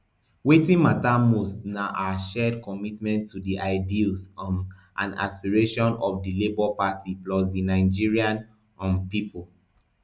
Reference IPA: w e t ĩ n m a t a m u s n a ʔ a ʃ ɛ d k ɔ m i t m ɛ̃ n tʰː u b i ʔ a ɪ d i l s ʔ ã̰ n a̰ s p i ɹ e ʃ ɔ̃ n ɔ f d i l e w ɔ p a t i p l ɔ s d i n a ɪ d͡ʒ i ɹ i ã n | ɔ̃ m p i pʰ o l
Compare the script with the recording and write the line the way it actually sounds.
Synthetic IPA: w e t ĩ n m a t a m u s n a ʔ a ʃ ɛ d k ɔ m i t m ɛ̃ n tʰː u d i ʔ a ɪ d i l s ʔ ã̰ n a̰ s p i ɹ e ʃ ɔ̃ n ɔ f d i l e b ɔ p a t i p l ɔ s d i n a ɪ d͡ʒ i ɹ i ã n | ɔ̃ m p i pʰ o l